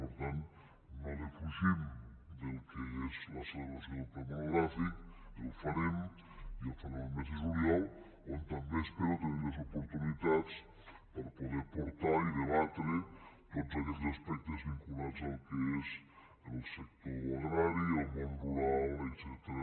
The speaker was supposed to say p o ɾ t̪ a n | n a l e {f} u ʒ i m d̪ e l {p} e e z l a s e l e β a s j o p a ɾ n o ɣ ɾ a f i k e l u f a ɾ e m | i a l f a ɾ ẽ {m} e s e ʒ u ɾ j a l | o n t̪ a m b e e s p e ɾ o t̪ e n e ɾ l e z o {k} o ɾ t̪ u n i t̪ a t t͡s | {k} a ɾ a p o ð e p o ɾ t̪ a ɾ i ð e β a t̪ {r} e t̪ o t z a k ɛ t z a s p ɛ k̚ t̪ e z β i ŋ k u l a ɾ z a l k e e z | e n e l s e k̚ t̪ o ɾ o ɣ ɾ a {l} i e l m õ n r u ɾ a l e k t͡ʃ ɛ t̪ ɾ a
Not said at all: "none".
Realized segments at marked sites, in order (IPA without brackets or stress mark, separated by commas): f, k, m, p, p, ɾ, ɾ